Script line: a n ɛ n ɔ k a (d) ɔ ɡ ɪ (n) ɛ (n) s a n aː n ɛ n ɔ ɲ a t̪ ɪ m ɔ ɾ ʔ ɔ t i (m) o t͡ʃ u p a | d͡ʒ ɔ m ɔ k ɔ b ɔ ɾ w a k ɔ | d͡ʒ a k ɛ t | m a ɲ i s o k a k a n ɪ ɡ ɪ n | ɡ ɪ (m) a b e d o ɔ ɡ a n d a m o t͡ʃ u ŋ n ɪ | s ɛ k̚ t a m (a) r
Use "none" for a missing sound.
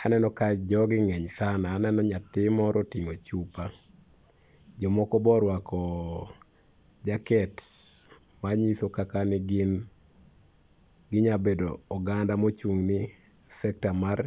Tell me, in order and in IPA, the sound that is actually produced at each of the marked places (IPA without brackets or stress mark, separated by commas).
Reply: d͡ʒ, ŋ, ɲ, ŋ, ɲ, a